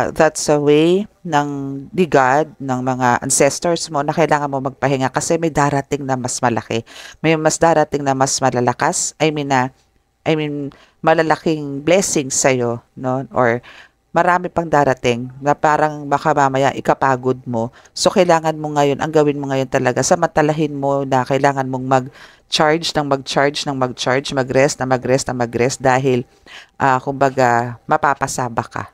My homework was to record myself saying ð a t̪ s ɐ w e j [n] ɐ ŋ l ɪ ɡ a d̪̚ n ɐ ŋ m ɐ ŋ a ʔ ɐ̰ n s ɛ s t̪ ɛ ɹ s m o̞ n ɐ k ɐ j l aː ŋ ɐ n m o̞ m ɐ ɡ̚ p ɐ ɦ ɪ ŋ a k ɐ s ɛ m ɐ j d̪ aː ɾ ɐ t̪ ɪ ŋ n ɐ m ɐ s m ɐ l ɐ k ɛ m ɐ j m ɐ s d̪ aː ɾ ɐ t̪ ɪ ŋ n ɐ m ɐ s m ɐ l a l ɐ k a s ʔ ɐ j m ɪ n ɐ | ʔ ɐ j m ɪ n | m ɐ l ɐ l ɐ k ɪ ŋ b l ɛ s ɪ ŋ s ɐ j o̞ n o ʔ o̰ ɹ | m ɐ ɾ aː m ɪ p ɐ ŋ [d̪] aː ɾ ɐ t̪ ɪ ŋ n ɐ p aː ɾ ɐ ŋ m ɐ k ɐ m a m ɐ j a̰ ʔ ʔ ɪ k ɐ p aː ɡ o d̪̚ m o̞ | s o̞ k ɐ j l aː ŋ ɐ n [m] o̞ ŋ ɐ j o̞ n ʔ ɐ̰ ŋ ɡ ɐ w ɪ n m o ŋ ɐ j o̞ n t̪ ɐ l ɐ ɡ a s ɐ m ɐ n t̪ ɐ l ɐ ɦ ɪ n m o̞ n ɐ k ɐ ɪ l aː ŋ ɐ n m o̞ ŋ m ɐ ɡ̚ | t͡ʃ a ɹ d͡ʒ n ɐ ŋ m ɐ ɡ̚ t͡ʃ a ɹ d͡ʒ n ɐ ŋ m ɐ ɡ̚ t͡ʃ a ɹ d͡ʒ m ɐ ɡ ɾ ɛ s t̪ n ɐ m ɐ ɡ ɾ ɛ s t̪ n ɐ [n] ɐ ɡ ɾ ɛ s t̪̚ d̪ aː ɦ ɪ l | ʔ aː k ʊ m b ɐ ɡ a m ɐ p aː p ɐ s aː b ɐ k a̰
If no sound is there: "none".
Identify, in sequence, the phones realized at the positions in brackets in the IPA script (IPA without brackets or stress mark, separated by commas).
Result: n, d̪, m, m